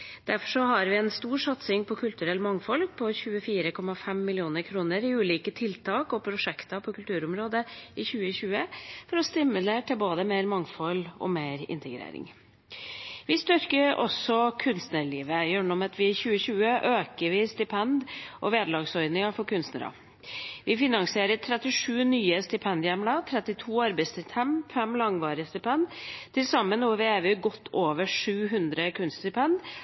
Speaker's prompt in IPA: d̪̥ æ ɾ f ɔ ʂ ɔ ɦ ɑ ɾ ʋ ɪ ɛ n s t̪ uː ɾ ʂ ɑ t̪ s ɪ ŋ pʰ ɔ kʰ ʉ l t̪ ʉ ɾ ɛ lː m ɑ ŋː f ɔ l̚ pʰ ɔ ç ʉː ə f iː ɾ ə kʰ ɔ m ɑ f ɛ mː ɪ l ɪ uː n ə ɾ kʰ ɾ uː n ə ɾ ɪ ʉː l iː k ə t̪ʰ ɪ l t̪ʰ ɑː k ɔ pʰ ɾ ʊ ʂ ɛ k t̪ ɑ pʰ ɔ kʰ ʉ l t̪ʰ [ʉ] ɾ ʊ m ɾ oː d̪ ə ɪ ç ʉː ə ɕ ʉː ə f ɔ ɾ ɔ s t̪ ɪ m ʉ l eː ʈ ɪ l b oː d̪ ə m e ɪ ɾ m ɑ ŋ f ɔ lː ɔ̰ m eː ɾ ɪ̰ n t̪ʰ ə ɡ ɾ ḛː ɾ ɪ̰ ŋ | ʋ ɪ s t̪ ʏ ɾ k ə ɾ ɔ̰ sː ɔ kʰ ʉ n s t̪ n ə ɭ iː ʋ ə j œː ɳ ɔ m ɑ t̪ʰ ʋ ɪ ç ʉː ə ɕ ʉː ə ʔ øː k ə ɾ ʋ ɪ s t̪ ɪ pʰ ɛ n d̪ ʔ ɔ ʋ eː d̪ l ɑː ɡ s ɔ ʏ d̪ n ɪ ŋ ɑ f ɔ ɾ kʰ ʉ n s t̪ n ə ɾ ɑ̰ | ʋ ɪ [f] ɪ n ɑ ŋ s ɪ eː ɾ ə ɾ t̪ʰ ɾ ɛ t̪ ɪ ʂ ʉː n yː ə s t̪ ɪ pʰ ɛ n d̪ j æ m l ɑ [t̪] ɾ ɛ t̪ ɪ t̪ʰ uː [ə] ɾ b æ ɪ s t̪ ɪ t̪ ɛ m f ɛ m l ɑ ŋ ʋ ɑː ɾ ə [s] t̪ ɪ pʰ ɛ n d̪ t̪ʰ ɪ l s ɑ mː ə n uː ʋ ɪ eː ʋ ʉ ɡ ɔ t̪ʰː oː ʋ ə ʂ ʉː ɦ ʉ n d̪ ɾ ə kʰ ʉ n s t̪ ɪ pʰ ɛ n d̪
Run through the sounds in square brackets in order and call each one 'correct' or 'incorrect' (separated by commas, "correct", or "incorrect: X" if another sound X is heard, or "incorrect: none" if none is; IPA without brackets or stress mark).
incorrect: ʉː, correct, incorrect: t̪ʰ, incorrect: ɑ, correct